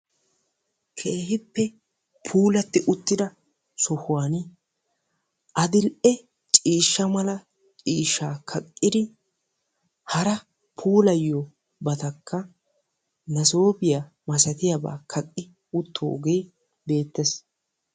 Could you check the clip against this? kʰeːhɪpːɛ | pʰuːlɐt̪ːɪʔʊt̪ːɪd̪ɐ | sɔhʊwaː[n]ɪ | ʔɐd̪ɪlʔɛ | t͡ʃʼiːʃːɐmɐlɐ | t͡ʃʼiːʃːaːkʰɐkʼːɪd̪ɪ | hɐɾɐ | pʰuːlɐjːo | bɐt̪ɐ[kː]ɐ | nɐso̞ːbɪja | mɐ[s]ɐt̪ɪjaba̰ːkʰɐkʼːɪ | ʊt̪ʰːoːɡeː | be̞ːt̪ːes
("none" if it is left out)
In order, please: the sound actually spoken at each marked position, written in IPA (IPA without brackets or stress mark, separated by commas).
n, kː, s